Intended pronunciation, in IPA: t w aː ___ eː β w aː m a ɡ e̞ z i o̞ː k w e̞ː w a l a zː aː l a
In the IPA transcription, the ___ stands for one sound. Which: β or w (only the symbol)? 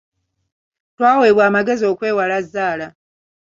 w